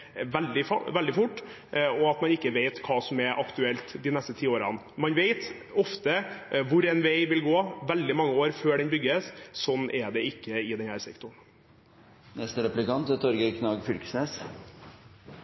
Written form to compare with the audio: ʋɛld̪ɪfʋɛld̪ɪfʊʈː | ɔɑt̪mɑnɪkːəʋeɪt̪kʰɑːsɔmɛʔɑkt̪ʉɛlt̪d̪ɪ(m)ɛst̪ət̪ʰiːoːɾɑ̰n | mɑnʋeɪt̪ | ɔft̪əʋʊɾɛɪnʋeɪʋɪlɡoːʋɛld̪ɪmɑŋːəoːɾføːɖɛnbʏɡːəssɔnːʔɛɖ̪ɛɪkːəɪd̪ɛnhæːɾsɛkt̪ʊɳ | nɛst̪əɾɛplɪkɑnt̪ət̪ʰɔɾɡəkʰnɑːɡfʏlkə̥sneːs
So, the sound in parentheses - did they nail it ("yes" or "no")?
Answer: no